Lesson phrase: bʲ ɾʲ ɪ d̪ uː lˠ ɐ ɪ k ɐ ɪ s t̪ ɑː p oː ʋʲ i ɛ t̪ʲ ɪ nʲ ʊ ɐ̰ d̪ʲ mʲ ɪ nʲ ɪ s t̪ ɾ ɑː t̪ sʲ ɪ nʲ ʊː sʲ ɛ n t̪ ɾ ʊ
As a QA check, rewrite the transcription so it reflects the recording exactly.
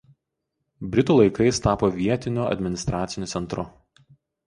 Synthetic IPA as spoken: bʲ ɾʲ ɪ t̪ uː lˠ ɐ ɪ k ɐ ɪ s t̪ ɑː p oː ʋʲ i ɛ t̪ʲ ɪ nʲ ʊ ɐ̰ d̪ʲ mʲ ɪ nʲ ɪ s t̪ ɾ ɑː t̪ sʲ ɪ nʲ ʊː sʲ ɛ n t̪ ɾ ʊ